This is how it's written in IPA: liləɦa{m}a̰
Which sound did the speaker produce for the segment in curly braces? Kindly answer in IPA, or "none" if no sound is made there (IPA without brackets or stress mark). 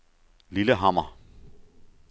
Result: m